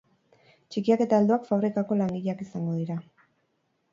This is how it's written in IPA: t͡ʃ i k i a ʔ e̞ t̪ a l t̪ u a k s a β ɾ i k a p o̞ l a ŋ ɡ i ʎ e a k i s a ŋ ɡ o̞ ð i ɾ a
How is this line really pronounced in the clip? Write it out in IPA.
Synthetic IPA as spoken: t͡ʃ i k i a k e̞ t̪ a l d̪ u a k f a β ɾ i k a k o̞ l a ŋ ɡ i ʎ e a k i s a ŋ ɡ o̞ ð i ɾ a